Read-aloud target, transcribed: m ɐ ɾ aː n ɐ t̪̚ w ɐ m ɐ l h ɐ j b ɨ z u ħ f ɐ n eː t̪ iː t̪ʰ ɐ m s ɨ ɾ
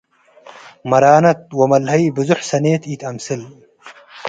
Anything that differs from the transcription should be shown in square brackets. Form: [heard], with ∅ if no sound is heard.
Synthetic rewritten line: m ɐ ɾ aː n ɐ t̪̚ w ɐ m ɐ l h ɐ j b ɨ z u ħ [s] ɐ n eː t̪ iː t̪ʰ ɐ m s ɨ [l]